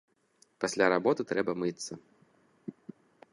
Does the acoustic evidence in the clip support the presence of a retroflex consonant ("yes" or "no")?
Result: no